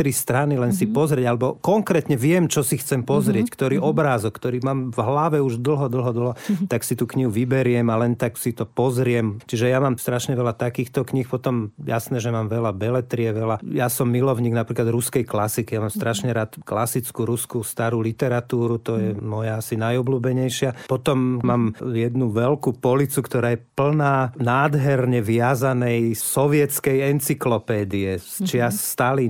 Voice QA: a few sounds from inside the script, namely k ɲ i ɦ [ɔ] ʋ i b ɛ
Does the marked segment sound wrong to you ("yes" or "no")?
yes